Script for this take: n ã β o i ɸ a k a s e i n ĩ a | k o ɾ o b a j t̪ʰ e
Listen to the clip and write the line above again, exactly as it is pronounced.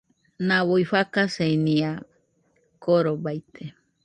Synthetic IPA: n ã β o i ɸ a k a s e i n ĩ a | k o ɾ o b a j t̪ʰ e